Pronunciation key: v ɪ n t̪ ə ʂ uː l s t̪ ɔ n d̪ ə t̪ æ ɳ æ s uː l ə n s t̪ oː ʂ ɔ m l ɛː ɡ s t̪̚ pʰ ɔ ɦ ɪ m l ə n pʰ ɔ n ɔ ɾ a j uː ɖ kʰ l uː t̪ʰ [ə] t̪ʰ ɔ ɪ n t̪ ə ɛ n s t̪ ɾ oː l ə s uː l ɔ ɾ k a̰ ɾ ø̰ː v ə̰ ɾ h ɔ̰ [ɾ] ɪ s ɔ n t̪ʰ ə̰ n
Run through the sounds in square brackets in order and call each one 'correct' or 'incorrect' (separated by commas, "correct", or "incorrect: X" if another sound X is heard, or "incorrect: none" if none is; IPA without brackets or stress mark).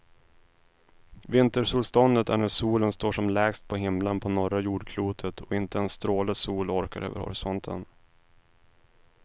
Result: correct, correct